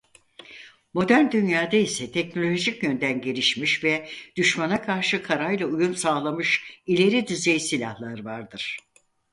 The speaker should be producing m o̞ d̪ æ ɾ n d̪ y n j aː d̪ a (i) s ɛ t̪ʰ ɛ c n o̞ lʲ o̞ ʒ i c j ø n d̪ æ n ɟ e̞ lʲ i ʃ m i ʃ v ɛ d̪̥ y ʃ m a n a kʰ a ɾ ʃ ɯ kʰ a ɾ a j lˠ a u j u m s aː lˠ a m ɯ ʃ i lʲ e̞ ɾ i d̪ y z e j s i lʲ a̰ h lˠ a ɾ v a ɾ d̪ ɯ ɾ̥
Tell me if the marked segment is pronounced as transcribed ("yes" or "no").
yes